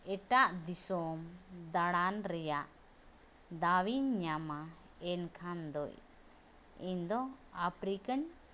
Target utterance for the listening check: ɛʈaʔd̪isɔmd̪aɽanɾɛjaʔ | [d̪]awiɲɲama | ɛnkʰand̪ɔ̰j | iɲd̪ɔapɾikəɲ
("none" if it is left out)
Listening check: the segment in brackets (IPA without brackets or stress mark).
d̪